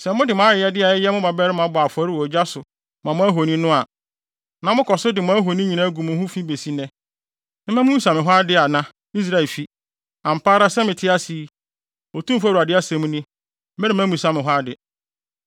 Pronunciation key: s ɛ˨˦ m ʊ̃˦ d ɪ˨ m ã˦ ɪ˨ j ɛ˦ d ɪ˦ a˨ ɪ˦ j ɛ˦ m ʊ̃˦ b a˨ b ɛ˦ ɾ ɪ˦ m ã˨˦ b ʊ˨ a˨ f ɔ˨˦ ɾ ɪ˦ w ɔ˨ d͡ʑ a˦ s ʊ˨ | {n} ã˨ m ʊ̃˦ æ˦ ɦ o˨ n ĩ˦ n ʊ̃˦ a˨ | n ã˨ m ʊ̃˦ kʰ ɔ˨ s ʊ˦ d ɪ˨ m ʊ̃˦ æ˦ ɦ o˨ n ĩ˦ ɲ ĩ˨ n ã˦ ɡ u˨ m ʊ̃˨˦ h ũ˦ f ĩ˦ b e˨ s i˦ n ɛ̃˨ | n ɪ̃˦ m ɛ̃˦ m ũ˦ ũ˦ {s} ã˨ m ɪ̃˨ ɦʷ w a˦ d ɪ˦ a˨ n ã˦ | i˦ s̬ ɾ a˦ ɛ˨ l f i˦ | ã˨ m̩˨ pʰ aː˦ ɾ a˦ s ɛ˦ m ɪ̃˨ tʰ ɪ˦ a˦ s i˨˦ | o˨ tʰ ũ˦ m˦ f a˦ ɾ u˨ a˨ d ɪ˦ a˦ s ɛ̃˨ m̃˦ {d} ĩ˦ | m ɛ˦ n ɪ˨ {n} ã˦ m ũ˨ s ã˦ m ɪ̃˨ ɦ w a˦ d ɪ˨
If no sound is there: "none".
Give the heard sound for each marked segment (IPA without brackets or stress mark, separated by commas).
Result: m, s, n, m